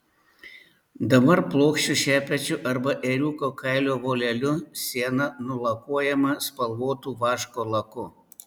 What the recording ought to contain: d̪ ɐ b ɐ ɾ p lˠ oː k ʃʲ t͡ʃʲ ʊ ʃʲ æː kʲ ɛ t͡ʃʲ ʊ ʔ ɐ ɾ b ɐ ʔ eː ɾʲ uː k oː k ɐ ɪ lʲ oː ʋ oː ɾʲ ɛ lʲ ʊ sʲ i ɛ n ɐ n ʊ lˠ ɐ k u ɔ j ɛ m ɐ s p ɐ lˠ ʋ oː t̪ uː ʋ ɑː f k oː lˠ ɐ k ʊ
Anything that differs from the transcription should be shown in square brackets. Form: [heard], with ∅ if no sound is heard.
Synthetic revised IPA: d̪ ɐ b ɐ ɾ p lˠ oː k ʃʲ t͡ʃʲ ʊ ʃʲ æː [pʲ] ɛ t͡ʃʲ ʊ ʔ ɐ ɾ b ɐ ʔ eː ɾʲ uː k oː k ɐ ɪ lʲ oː ʋ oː [lʲ] ɛ lʲ ʊ sʲ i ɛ n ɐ n ʊ lˠ ɐ k u ɔ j ɛ m ɐ s p ɐ lˠ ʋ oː t̪ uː ʋ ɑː [ʃ] k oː lˠ ɐ k ʊ

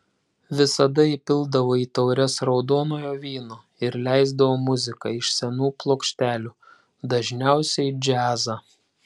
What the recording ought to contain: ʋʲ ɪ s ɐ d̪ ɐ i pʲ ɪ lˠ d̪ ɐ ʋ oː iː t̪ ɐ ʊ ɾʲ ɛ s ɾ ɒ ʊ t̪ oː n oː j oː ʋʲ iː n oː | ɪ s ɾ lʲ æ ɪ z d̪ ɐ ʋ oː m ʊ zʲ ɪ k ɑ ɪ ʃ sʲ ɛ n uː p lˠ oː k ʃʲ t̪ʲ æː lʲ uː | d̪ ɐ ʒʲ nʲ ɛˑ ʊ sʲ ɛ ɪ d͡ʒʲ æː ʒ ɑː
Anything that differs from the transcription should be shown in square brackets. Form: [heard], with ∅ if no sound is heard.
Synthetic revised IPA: ʋʲ ɪ s ɐ d̪ ɐ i pʲ ɪ lˠ d̪ ɐ ʋ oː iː t̪ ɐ ʊ ɾʲ ɛ s ɾ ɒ ʊ [d̪] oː n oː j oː ʋʲ iː n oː | ɪ [∅] ɾ lʲ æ ɪ z d̪ ɐ ʋ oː m ʊ zʲ ɪ k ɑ ɪ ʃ sʲ ɛ n uː p lˠ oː k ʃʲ t̪ʲ æː lʲ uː | d̪ ɐ ʒʲ nʲ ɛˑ ʊ sʲ ɛ ɪ d͡ʒʲ æː [z] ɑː

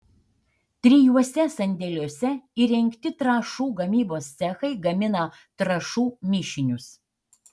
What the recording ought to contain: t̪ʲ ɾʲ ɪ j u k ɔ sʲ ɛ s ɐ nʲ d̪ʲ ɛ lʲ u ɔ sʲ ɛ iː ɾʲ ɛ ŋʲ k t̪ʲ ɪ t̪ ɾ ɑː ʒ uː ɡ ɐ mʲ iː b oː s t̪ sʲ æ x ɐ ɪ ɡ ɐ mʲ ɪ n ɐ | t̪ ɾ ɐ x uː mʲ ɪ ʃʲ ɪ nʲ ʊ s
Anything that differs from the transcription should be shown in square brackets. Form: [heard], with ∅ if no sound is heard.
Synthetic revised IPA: t̪ʲ ɾʲ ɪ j u [∅] ɔ sʲ ɛ s ɐ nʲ d̪ʲ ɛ lʲ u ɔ sʲ ɛ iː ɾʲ ɛ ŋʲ k t̪ʲ ɪ t̪ ɾ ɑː [ʃ] uː ɡ ɐ mʲ iː b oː s t̪ sʲ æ x ɐ ɪ ɡ ɐ mʲ ɪ n ɐ | t̪ ɾ ɐ [ʃ] uː mʲ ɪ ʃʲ ɪ nʲ ʊ s

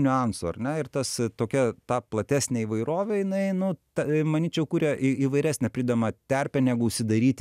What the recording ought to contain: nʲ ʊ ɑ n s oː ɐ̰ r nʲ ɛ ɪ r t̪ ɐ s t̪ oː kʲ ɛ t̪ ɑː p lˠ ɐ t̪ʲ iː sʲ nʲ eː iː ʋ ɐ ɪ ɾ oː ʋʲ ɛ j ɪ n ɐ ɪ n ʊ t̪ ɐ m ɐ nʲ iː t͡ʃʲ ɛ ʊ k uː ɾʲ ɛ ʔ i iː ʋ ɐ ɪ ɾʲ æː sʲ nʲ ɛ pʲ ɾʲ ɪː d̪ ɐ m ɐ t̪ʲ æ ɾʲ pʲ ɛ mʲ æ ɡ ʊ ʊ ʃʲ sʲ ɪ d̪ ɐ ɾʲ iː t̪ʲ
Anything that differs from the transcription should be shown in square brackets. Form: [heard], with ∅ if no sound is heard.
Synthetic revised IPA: nʲ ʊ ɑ n s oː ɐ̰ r nʲ ɛ ɪ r t̪ ɐ s t̪ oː kʲ ɛ t̪ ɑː p lˠ ɐ t̪ʲ [æː] sʲ nʲ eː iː ʋ ɐ ɪ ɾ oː ʋʲ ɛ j ɪ n ɐ ɪ n ʊ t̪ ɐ m ɐ nʲ iː t͡ʃʲ ɛ ʊ k uː ɾʲ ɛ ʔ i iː ʋ ɐ ɪ ɾʲ æː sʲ nʲ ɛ pʲ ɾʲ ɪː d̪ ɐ m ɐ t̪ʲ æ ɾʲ pʲ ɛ [nʲ] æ ɡ ʊ ʊ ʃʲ sʲ ɪ d̪ ɐ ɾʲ iː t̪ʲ

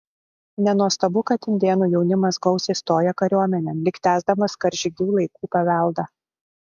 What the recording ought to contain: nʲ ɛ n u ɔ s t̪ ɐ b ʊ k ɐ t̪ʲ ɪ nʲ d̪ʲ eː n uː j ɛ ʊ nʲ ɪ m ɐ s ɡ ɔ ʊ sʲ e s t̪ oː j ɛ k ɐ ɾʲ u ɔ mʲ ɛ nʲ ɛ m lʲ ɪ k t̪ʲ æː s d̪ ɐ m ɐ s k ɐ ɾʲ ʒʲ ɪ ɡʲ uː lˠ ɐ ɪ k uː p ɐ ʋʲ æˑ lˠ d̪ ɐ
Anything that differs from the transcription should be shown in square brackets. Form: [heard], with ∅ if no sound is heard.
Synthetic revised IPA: nʲ ɛ n u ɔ s t̪ ɐ b ʊ k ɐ t̪ʲ ɪ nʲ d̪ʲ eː n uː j ɛ ʊ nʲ ɪ m ɐ s ɡ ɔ ʊ sʲ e s t̪ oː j ɛ k ɐ ɾʲ u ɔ mʲ ɛ nʲ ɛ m lʲ ɪ k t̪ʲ æː [z] d̪ ɐ m ɐ s k ɐ ɾʲ ʒʲ ɪ ɡʲ uː lˠ ɐ ɪ k uː p ɐ ʋʲ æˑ lˠ d̪ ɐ

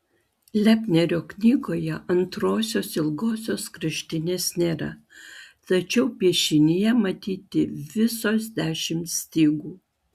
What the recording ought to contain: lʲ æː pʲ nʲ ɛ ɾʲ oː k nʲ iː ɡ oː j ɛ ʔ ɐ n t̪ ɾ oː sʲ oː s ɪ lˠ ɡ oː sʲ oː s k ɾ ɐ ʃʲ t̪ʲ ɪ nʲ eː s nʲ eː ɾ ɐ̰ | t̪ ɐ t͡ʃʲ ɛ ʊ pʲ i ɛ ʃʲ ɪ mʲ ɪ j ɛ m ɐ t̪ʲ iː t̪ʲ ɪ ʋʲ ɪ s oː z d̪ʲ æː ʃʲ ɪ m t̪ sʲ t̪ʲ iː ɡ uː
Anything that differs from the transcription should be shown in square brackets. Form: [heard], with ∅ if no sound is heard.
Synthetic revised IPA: lʲ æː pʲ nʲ ɛ ɾʲ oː k nʲ iː ɡ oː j ɛ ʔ ɐ n t̪ ɾ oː sʲ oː s ɪ lˠ ɡ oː sʲ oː s k ɾ ɐ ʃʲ t̪ʲ ɪ nʲ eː s nʲ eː ɾ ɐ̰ | t̪ ɐ t͡ʃʲ ɛ ʊ pʲ i ɛ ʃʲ ɪ [nʲ] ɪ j ɛ m ɐ t̪ʲ iː t̪ʲ ɪ ʋʲ ɪ s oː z d̪ʲ æː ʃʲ ɪ m t̪ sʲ t̪ʲ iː ɡ uː

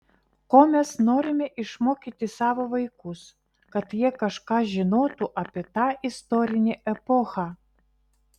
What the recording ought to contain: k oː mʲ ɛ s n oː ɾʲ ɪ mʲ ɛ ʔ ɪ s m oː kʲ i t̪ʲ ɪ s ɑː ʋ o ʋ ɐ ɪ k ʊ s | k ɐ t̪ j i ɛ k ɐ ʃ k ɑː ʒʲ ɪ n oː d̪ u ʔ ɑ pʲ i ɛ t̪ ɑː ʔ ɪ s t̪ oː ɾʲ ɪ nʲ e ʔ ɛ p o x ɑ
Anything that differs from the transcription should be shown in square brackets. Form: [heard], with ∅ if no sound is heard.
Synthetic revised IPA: k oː mʲ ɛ s n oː ɾʲ ɪ mʲ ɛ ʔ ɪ [ʃ] m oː kʲ i t̪ʲ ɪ s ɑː ʋ o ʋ ɐ ɪ k ʊ s | k ɐ t̪ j i ɛ k ɐ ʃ k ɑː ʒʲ ɪ n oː [t̪] u ʔ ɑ pʲ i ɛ t̪ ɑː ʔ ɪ s t̪ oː ɾʲ ɪ nʲ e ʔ ɛ p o x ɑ

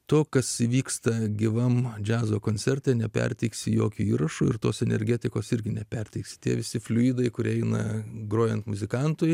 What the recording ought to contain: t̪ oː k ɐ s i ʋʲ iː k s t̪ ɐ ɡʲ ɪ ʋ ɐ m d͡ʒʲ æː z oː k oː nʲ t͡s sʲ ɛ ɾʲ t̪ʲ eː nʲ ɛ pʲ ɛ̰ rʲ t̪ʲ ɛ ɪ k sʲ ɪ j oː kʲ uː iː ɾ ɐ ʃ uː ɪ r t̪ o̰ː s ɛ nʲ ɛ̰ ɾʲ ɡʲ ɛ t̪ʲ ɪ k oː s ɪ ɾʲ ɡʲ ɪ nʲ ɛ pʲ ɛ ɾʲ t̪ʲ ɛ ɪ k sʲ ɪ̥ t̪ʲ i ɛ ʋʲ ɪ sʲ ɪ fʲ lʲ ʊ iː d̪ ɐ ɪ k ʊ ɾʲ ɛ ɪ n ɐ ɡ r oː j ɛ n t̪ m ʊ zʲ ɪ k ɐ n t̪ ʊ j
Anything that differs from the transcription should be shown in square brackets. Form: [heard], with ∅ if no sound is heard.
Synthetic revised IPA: t̪ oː k ɐ s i ʋʲ iː k s t̪ ɐ ɡʲ ɪ ʋ ɐ m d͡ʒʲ æː z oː k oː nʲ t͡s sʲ ɛ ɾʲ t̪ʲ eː nʲ ɛ pʲ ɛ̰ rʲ t̪ʲ ɛ ɪ k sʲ ɪ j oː kʲ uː iː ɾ ɐ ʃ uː ɪ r t̪ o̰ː s ɛ nʲ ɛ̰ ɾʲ ɡʲ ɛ t̪ʲ ɪ k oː s ɪ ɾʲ ɡʲ ɪ nʲ ɛ pʲ ɛ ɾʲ t̪ʲ ɛ ɪ k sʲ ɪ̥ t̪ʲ i ɛ ʋʲ ɪ sʲ ɪ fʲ lʲ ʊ iː d̪ ɐ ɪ k ʊ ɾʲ ɛ ɪ n ɐ ɡ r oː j ɛ n t̪ m ʊ zʲ ɪ k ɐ n t̪ ʊ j

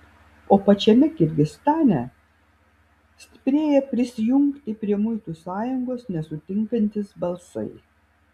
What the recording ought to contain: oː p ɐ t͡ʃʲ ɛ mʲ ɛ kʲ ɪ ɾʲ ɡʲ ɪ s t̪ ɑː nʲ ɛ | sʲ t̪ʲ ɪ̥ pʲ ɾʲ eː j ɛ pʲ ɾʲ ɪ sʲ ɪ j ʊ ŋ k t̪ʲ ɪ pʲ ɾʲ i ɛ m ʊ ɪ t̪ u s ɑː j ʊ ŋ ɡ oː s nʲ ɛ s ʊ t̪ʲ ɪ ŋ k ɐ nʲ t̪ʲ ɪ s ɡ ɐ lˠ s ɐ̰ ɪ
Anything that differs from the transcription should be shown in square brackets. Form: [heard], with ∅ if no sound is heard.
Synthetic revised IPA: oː p ɐ t͡ʃʲ ɛ mʲ ɛ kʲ ɪ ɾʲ ɡʲ ɪ s t̪ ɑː nʲ ɛ | sʲ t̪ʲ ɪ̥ pʲ ɾʲ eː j ɛ pʲ ɾʲ ɪ sʲ ɪ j ʊ ŋ k t̪ʲ ɪ pʲ ɾʲ i ɛ m ʊ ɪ t̪ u s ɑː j ʊ ŋ ɡ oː s nʲ ɛ s ʊ t̪ʲ ɪ ŋ k ɐ nʲ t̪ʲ ɪ s [b] ɐ lˠ s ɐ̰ ɪ

